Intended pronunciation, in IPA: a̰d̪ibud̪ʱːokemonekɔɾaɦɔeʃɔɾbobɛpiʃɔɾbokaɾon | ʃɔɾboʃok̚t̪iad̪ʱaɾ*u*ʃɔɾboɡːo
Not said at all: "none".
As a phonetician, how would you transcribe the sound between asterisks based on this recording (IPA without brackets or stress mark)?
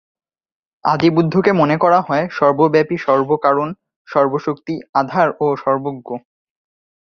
o